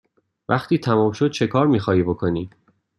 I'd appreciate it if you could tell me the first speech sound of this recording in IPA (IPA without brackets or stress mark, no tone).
v